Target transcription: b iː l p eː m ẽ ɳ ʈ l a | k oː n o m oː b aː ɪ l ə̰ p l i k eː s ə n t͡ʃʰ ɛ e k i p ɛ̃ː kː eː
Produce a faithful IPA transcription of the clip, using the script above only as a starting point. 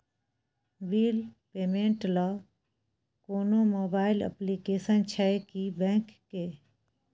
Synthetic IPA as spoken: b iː l p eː m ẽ ɳ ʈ l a | k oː n o m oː b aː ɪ l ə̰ p l i k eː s ə n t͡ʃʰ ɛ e k i b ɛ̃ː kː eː